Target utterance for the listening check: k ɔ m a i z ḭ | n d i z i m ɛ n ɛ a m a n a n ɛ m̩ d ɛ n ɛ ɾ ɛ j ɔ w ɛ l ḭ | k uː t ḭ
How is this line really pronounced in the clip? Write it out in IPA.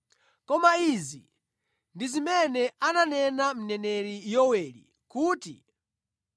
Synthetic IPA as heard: k ɔ m a i z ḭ | n d i z i m ɛ n ɛ a n a n ɛ n a m̩ n ɛ n ɛ ɾ i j ɔ w ɛ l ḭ | k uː t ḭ

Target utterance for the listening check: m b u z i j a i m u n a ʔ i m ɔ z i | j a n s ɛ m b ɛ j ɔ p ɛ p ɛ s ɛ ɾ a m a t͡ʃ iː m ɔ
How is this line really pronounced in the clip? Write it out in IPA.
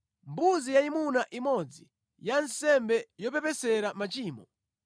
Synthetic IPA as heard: m b u z i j a i m u n a ʔ i m ɔ d͡z i | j a n s ɛ m b ɛ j ɔ p ɛ p ɛ s ɛ ɾ a m a t͡ʃ iː m ɔ

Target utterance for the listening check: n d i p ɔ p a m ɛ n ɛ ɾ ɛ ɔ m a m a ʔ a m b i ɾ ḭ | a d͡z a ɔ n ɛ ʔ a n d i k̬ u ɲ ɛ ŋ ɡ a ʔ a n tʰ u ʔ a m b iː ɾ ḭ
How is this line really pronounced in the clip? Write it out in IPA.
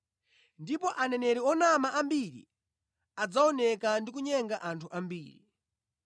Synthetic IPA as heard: n d i p ɔ ʔ a n ɛ n ɛ ɾ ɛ ɔ n a m a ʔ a m b i ɾ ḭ | a d͡z a ɔ n ɛ k a n d i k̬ u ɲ ɛ ŋ ɡ a ʔ a n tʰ u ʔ a m b iː ɾ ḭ

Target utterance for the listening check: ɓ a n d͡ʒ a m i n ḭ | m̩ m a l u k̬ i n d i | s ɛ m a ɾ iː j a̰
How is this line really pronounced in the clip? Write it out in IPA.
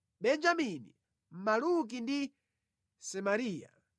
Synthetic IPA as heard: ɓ ɛ n d͡ʒ a m i n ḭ | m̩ m a l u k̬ i n d i | s ɛ m a ɾ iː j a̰

